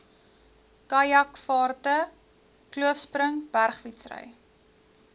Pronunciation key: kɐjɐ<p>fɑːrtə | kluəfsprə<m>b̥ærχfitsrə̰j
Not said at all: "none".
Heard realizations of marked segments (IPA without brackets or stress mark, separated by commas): k, ŋ